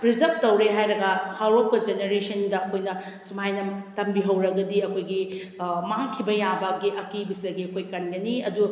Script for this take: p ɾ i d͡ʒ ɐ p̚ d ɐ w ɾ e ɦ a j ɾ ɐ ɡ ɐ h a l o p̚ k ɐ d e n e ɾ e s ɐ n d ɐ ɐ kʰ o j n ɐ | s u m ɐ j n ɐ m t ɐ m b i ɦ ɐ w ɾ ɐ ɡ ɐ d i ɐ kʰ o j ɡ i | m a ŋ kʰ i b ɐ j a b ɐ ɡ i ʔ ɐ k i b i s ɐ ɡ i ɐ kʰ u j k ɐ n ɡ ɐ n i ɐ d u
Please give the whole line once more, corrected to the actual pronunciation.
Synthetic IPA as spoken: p ɾ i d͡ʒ ɐ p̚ t ɐ w ɾ e ɦ a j ɾ ɐ ɡ ɐ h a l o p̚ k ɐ d͡ʒ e n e ɾ e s ɐ n d ɐ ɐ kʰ o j n ɐ | s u m a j n ɐ m t ɐ m b i ɦ ɐ w ɾ ɐ ɡ ɐ d i ɐ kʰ o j ɡ i | m a ŋ kʰ i b ɐ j a b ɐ ɡ i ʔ ɐ k i b i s ɐ ɡ i ɐ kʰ o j k ɐ n ɡ ɐ n i ɐ d u